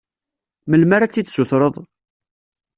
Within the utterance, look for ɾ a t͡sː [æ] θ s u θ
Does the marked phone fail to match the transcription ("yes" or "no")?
yes